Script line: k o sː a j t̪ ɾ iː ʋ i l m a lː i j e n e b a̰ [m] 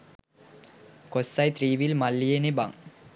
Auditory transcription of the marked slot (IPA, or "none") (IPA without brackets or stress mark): ŋ